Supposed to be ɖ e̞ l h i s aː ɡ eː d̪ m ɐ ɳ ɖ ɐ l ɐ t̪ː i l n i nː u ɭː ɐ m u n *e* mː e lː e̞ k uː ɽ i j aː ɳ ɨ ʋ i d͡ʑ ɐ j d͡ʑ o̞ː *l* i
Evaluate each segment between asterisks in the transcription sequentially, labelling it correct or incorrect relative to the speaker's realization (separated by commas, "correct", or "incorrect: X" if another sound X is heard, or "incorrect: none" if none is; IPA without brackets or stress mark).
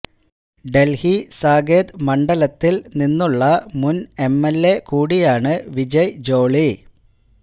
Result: correct, incorrect: ɭ